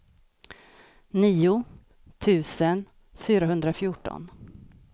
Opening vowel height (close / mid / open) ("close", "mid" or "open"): close